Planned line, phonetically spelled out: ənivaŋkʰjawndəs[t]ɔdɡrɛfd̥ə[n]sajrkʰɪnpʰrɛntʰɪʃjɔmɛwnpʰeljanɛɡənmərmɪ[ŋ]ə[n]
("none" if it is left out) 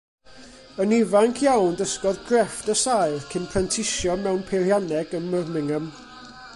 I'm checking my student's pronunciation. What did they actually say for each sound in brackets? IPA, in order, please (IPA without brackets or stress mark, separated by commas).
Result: k, none, ŋ, m